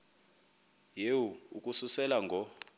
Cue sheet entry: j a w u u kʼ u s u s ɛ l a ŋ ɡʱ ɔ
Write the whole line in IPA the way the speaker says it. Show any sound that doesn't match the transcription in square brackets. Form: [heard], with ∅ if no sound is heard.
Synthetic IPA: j [e] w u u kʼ u s u s ɛ l a ŋ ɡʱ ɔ